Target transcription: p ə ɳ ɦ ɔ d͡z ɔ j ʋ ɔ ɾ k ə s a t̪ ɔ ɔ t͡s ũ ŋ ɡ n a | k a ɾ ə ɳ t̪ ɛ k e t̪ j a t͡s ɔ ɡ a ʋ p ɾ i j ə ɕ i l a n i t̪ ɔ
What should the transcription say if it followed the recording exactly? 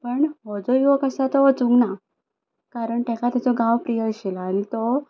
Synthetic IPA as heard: p ə ɳ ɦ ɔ d͡z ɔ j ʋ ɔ k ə s a t̪ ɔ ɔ t͡s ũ ŋ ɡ n a | k a ɾ ə ɳ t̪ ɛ k a t̪ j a t͡s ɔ ɡ a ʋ p ɾ i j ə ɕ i l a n i t̪ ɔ